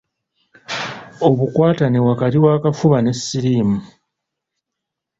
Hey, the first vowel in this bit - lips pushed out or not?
yes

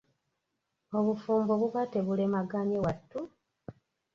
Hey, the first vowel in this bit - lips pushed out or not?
yes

